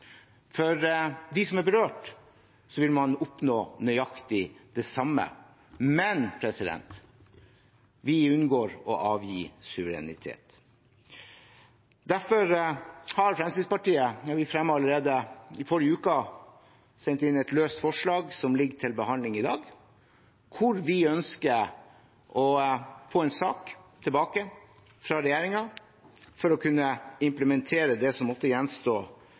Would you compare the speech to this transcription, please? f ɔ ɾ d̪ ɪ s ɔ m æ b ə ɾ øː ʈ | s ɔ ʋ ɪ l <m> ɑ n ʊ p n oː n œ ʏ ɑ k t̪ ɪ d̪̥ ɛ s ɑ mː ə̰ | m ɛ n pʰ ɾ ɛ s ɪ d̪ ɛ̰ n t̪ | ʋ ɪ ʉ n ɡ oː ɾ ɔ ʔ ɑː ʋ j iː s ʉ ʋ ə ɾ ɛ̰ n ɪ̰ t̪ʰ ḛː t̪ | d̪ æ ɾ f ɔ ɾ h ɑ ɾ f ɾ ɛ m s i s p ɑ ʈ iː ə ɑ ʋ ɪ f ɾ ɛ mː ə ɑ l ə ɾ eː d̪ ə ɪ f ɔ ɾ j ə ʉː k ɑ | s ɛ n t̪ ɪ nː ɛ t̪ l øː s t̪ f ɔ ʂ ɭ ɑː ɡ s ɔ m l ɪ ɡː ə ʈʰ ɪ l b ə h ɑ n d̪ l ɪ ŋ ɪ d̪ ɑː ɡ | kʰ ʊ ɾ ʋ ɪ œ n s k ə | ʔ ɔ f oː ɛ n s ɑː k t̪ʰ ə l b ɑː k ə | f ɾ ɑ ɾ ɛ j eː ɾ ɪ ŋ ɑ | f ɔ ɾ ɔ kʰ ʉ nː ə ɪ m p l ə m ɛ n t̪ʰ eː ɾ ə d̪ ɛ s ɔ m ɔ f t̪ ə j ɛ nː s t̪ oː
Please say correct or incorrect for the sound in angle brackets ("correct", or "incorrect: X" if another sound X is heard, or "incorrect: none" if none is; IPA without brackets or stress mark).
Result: correct